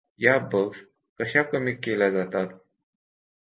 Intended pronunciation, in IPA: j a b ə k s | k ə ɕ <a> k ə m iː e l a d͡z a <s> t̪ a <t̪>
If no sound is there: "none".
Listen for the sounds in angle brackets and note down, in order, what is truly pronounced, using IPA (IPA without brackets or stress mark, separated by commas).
a, none, t̪